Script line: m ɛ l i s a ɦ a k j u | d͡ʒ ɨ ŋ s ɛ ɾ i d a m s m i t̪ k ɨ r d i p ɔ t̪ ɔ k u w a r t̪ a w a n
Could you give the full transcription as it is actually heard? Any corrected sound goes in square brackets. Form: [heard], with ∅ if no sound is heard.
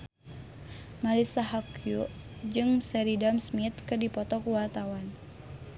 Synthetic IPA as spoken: m [a] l i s a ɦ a k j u | d͡ʒ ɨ ŋ s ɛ ɾ i d a m s m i t̪ k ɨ r d i p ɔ t̪ ɔ k u w a r t̪ a w a n